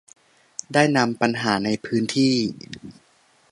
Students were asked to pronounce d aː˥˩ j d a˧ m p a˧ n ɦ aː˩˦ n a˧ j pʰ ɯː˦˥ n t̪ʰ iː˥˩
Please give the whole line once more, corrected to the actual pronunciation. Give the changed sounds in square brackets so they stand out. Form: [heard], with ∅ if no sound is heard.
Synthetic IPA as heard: d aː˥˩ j [n] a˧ m p a˧ n ɦ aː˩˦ n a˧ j pʰ ɯː˦˥ n t̪ʰ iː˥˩